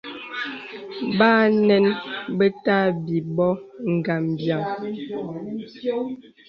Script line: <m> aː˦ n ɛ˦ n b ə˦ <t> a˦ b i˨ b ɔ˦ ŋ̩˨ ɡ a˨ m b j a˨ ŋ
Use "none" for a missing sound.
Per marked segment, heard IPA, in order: b, t

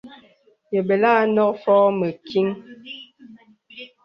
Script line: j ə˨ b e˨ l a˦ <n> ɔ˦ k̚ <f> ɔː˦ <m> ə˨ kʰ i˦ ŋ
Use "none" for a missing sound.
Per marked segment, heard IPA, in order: n, f, m

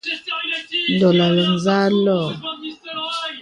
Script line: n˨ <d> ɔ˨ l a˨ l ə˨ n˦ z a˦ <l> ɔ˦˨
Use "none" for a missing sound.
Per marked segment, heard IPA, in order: d, l

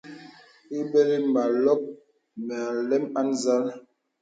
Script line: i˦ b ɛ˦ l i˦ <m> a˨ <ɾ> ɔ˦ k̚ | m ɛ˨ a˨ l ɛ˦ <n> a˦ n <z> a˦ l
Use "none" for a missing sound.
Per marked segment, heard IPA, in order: m, l, m, z

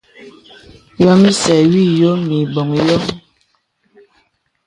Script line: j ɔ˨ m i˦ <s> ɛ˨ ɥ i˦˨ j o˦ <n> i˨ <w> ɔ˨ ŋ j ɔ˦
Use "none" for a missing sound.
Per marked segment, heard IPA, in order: s, m, b

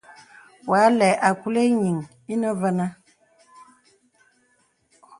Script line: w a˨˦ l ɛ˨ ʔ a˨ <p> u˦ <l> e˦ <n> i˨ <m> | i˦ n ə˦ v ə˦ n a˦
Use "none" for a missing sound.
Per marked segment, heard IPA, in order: k, l, ɲ, ŋ

